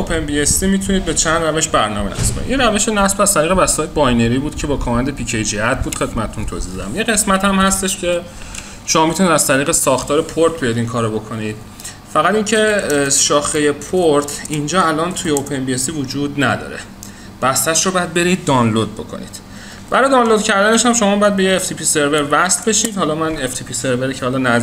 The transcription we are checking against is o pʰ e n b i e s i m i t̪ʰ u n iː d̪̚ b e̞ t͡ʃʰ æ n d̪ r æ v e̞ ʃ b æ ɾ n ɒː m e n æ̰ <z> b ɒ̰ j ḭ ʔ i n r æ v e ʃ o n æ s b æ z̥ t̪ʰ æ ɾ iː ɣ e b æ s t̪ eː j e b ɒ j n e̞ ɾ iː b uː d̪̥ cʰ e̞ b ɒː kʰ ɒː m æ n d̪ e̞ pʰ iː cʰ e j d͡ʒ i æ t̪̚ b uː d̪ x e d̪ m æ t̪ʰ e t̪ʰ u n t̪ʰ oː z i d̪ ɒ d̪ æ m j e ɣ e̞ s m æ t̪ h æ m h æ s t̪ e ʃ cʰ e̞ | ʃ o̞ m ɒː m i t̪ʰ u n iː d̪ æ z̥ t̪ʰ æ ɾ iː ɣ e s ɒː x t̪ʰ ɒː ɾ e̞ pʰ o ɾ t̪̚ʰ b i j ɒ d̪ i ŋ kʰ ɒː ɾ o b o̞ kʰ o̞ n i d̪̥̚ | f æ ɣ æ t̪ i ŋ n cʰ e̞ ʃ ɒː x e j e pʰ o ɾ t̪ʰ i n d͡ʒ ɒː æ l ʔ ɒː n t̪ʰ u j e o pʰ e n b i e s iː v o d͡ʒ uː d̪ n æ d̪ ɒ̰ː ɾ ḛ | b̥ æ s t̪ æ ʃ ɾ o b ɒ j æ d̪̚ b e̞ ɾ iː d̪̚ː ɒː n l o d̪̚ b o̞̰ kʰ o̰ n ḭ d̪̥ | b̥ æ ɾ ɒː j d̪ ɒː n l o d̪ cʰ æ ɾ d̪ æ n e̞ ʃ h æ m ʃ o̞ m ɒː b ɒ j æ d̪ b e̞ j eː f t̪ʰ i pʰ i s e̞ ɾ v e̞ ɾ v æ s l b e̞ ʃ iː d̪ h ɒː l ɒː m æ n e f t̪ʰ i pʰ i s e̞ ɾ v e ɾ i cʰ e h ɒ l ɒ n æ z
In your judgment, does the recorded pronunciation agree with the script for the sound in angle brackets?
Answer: no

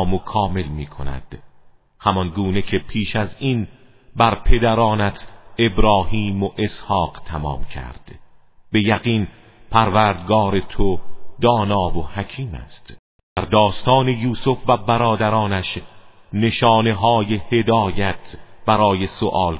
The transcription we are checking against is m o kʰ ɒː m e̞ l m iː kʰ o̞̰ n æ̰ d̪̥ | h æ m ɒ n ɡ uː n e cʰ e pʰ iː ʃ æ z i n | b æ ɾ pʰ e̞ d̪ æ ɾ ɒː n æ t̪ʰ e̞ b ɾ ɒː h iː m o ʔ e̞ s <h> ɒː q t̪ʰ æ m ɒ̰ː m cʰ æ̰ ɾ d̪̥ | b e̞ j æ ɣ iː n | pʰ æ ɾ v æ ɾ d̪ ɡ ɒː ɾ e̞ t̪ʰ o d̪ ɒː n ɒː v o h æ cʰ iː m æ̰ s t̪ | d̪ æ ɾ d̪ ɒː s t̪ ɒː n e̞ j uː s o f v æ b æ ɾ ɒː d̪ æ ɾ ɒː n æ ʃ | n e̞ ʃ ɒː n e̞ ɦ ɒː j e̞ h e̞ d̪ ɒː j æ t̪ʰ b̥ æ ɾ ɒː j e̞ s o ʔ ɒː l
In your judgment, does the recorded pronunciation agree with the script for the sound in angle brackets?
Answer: yes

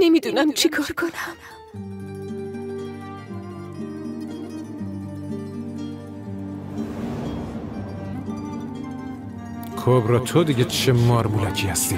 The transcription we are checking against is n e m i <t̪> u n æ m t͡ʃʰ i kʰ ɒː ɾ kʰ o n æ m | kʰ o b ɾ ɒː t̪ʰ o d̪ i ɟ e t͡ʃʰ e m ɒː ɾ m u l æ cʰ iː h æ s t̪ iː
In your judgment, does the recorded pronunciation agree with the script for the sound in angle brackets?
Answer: no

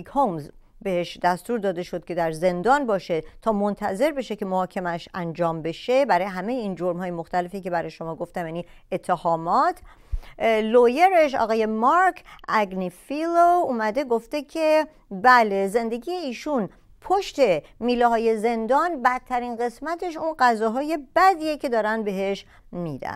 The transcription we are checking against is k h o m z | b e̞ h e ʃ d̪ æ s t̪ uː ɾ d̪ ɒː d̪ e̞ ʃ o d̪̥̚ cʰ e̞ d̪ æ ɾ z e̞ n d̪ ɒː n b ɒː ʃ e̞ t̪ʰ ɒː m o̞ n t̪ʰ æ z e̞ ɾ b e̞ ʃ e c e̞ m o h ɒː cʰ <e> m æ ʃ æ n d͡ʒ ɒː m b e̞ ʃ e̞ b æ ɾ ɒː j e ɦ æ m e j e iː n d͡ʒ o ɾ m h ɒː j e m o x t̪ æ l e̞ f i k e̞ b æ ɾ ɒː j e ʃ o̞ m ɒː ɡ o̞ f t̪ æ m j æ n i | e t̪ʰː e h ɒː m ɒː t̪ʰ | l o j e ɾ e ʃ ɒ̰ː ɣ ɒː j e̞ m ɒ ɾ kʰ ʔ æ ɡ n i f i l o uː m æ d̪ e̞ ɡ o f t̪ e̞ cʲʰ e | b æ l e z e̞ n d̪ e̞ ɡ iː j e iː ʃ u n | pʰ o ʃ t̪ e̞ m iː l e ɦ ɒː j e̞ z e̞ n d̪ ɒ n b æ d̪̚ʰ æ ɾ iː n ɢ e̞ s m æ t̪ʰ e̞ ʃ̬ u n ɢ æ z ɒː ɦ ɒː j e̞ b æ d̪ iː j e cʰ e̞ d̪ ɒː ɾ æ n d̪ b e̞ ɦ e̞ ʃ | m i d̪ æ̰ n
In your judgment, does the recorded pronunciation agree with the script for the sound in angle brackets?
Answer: yes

